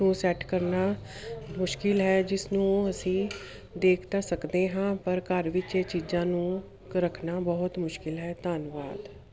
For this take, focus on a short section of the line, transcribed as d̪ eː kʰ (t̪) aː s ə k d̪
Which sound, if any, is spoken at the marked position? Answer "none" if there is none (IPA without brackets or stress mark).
t̪